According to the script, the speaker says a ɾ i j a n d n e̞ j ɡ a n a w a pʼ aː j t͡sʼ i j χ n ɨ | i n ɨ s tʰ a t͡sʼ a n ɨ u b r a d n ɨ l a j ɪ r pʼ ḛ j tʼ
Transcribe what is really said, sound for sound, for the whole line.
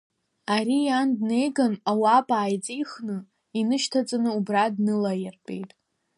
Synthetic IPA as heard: a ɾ i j a n d n e̞ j ɡ a n a w a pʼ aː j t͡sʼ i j χ n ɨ | i n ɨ ʃ tʰ a t͡sʼ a n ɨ u b r a d n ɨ l a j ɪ r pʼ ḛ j tʼ